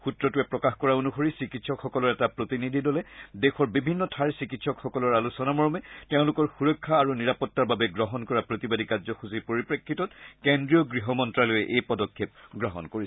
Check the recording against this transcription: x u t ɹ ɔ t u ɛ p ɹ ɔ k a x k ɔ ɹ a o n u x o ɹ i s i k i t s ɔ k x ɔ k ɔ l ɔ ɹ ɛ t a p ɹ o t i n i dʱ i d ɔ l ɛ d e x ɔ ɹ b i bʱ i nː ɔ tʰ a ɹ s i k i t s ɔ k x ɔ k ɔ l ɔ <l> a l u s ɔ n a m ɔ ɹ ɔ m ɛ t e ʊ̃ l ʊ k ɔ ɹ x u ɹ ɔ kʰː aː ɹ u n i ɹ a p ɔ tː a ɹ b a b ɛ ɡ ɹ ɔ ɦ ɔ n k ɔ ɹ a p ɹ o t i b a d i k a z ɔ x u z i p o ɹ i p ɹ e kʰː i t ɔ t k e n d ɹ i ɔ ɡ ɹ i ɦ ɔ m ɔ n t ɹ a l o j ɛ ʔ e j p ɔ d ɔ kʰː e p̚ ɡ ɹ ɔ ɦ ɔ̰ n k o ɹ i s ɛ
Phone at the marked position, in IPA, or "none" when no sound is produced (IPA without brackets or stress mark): ɹ